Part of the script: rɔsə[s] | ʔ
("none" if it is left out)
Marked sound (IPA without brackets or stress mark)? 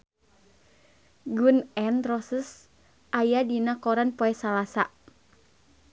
s